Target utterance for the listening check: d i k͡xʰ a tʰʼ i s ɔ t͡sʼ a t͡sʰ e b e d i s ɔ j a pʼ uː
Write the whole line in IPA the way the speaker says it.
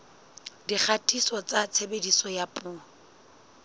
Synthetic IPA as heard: d i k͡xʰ a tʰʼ i s ɔ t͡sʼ a t͡sʰ e b e d i s ɔ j a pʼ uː